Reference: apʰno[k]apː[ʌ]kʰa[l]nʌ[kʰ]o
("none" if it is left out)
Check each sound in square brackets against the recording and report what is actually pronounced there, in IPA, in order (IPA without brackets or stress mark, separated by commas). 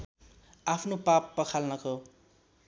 p, ʌ, l, k